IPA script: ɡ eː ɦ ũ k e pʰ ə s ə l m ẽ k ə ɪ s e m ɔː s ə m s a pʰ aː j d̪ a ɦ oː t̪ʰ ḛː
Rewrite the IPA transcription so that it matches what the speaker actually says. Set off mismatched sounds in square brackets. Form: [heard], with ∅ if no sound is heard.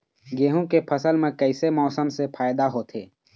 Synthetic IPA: ɡ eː ɦ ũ k e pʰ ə s ə l m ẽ k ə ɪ s e m ɔː s ə m s [e] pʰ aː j d̪ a ɦ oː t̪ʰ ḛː